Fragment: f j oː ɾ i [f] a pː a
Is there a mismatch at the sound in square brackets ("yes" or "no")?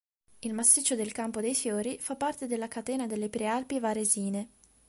no